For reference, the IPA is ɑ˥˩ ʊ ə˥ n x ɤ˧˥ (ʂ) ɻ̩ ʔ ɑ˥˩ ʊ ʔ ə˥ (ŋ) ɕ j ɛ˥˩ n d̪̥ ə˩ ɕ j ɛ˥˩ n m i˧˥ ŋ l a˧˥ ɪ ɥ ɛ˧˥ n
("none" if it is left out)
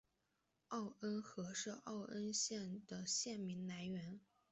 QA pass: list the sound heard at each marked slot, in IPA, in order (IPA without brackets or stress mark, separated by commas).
ʂ, n